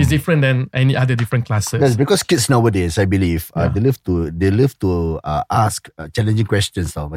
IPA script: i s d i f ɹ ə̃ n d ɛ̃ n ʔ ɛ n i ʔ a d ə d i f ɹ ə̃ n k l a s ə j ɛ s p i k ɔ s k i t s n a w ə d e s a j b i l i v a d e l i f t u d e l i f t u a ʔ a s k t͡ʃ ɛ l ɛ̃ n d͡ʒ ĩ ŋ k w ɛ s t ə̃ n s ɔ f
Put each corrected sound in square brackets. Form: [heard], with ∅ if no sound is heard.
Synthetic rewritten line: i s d i f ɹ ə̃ n d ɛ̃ n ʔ ɛ n i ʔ a d ə d i f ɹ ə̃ n k l a s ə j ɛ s [b] i k ɔ s k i t s n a w ə d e s a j b i l i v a d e l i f t u d e l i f t u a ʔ a s k t͡ʃ ɛ l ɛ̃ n d͡ʒ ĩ ŋ k w ɛ s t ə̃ n s ɔ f